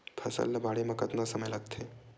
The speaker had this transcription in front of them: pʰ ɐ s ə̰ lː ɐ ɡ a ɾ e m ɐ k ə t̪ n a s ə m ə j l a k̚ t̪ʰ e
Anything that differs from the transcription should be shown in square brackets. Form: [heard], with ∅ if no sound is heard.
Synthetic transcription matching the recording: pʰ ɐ s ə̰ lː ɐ [b] a [ɽ] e m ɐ k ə t̪ n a s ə m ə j l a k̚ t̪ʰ e